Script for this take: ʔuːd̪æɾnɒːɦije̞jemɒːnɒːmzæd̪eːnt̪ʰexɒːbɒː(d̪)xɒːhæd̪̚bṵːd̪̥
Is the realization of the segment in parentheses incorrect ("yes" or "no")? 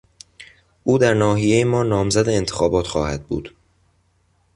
yes